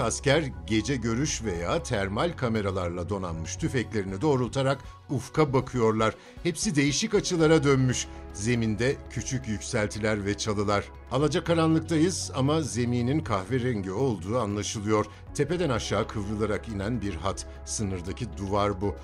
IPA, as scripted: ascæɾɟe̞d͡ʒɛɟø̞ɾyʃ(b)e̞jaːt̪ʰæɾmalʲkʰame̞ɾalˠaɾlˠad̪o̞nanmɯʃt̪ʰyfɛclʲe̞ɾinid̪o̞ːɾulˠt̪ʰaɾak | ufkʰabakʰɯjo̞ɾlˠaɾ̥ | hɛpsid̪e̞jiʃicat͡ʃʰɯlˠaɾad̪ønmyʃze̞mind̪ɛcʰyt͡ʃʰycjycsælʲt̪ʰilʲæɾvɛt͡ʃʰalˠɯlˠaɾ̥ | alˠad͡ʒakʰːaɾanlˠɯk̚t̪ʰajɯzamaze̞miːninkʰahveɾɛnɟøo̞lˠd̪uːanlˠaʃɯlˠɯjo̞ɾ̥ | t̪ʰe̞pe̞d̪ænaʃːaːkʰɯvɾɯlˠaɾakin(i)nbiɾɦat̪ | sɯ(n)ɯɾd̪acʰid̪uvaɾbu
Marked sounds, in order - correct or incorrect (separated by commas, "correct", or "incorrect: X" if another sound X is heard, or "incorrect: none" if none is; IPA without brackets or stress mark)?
incorrect: v, incorrect: æ, correct